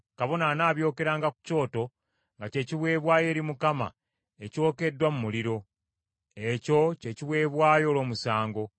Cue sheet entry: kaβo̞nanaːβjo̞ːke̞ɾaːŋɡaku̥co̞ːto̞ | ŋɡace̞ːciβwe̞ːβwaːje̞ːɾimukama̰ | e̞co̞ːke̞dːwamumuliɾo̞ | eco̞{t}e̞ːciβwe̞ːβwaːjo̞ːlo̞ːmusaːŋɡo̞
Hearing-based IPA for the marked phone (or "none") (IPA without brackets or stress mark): c